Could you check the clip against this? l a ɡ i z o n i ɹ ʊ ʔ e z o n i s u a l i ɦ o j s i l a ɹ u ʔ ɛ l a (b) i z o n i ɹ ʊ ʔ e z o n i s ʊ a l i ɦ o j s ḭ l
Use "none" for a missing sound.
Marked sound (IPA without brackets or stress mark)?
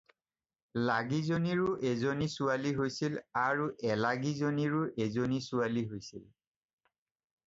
ɡ